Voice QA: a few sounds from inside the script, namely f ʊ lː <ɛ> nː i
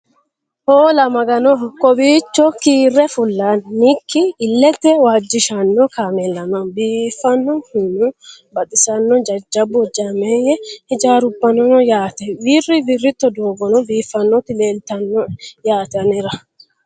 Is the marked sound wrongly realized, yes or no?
yes